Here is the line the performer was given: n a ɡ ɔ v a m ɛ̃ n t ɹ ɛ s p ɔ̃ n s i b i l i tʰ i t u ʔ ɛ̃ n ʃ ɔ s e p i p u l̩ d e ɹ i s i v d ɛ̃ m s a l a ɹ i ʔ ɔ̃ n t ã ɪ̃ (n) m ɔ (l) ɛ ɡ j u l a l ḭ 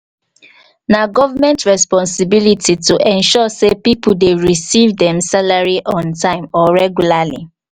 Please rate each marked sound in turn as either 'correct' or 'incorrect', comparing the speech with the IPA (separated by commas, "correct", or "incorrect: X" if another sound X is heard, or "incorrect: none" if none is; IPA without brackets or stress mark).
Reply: incorrect: none, incorrect: ɹ